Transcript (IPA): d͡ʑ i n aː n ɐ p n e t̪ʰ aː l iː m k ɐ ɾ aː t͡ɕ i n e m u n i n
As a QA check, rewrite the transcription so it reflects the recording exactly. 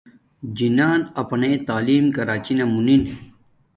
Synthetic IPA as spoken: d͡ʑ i n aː n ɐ p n e t̪ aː l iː m k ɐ ɾ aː t͡ɕ i n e m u n i n